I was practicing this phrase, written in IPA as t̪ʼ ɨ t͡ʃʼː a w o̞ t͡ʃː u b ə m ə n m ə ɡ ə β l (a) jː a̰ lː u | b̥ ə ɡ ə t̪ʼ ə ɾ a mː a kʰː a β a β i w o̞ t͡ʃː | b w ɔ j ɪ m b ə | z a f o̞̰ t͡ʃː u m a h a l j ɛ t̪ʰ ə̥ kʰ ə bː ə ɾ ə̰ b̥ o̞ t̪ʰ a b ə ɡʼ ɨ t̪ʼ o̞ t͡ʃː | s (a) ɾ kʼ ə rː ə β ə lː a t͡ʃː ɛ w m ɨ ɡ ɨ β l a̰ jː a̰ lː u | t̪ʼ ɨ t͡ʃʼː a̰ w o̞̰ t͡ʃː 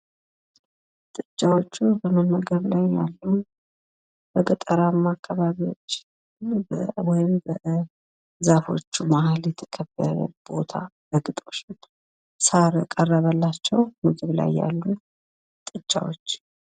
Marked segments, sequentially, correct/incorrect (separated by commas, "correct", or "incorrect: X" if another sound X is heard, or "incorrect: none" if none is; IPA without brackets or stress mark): correct, correct